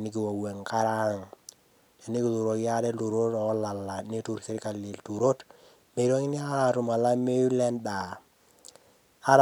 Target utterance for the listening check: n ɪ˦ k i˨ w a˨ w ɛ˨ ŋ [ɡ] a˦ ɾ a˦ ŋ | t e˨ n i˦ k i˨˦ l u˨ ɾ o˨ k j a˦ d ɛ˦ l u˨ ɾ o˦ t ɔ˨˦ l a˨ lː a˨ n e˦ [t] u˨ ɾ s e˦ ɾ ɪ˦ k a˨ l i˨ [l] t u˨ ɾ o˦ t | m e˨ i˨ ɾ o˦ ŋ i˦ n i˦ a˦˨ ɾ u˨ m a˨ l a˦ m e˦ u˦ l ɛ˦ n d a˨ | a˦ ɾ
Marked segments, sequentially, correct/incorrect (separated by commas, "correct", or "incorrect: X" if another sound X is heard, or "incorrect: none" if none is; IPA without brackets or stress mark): incorrect: k, correct, correct